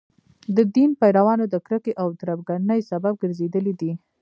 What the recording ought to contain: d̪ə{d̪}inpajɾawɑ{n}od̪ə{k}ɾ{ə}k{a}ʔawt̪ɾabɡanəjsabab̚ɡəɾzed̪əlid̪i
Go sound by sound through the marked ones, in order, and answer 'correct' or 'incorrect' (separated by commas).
correct, correct, correct, correct, incorrect